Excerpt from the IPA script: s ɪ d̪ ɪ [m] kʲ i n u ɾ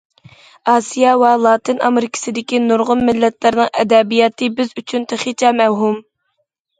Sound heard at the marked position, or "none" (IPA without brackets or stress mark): none